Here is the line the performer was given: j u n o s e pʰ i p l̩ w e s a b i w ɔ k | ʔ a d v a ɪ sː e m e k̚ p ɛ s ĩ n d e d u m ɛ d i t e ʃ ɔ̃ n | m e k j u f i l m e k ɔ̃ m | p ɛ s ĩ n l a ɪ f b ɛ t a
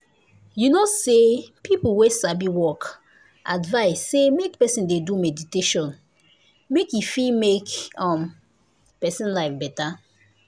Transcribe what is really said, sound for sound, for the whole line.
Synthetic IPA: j u n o s e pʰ i p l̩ w e s a b i w ɔ k | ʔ a d v a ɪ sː e m e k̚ p ɛ s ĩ n d e d u m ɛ d i t e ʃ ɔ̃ n | m e k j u f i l m e k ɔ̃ m | p ɛ s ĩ n l a ɪ f b ɛ t a